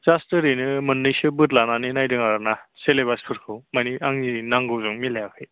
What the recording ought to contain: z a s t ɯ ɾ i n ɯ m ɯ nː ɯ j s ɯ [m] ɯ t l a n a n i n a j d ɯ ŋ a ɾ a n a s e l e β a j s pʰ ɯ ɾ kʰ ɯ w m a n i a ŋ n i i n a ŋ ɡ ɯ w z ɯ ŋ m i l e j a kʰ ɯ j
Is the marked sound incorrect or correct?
incorrect